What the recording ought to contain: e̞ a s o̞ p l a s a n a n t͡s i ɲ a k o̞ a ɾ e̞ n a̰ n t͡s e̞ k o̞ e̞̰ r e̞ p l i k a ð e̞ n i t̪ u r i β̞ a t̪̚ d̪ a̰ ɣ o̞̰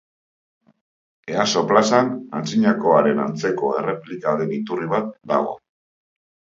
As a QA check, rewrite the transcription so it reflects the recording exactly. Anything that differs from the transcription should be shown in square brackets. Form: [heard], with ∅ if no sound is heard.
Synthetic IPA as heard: e̞ a s o̞ p l a s a n a n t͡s i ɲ a k o̞ a ɾ e̞ n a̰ n t͡s e̞ k o̞ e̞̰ r e̞ p l i k a ð e̞ n i t̪ u r i β̞ a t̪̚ d̪ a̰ ɣ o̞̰